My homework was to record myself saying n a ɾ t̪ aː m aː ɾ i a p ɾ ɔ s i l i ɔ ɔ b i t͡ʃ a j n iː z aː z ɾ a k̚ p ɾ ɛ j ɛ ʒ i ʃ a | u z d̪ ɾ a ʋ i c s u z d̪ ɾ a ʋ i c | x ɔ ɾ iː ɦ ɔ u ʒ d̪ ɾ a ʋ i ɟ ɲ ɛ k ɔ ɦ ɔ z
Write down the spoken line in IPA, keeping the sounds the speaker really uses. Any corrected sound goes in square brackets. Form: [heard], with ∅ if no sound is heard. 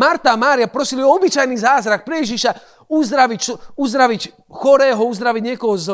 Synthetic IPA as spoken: [m] a ɾ t̪ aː m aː ɾ i a p ɾ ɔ s i l i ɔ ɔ b i t͡ʃ a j n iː z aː z ɾ a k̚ p ɾ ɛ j ɛ ʒ i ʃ a | u z d̪ ɾ a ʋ i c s u z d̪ ɾ a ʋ i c | x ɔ ɾ [ɛː] ɦ ɔ u [z] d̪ ɾ a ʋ i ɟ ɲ ɛ k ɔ ɦ ɔ z